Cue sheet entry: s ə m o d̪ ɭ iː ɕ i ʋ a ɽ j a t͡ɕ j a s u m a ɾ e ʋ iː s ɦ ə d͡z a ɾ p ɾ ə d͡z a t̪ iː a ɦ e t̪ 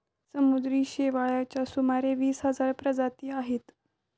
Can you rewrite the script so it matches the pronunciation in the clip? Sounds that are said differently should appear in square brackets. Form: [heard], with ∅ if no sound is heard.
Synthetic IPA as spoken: s ə m [u] d̪ [ɾ] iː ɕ [e] ʋ a [ɭ] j a t͡ɕ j a s u m a ɾ e ʋ iː s ɦ ə d͡z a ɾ p ɾ ə d͡z a t̪ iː a ɦ e t̪